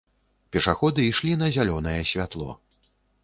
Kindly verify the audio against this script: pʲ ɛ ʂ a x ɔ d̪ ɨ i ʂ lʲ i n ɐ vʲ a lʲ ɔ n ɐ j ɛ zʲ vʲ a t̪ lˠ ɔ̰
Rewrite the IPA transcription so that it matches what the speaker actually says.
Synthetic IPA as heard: pʲ ɛ ʂ a x ɔ d̪ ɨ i ʂ lʲ i n ɐ zʲ a lʲ ɔ n ɐ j ɛ sʲ vʲ a t̪ lˠ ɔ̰